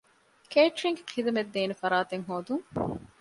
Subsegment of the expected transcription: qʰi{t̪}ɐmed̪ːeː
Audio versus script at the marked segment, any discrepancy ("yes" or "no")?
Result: yes